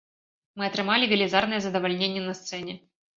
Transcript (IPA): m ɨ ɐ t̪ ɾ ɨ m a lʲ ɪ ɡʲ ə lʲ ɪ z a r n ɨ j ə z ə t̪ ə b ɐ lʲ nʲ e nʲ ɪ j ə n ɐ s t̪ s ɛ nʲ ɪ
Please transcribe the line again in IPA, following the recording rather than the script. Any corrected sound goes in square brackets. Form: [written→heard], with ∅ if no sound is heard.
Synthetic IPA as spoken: m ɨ ɐ t̪ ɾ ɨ m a lʲ ɪ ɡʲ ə lʲ ɪ z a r n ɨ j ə z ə [t̪→d̪] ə [b→v] ɐ lʲ nʲ e nʲ ɪ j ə n ɐ s t̪ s ɛ nʲ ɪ